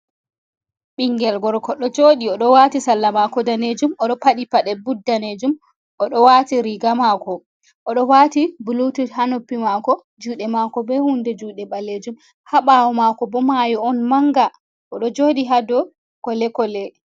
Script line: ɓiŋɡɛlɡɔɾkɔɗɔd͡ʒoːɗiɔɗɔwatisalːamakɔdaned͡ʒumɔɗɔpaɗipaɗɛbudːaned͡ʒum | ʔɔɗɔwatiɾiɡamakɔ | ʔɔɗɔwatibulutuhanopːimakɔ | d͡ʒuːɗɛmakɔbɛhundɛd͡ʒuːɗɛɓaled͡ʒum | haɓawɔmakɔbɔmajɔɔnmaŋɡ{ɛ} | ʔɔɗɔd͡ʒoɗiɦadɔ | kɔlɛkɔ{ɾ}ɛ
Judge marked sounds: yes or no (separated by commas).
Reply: no, no